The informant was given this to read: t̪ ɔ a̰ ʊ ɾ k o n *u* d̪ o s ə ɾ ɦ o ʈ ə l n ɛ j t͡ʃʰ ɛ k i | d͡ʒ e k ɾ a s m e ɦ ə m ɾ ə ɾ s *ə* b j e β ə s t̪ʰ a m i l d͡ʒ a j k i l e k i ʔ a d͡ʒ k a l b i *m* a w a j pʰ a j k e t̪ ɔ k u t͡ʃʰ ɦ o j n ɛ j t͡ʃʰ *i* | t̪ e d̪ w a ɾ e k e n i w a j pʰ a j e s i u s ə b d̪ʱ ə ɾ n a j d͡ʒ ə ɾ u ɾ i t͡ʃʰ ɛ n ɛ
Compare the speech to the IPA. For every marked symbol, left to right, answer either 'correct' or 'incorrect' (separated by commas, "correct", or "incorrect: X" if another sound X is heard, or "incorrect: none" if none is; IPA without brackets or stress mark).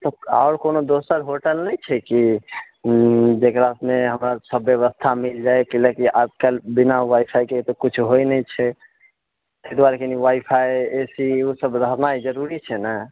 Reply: incorrect: o, correct, incorrect: n, incorrect: ɛ